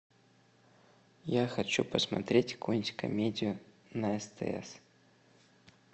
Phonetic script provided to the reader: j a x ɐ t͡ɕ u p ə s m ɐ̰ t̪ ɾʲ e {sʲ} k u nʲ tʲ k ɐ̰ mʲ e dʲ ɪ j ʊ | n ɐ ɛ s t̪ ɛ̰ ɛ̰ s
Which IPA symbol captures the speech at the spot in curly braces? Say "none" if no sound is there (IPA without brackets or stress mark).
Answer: tʲ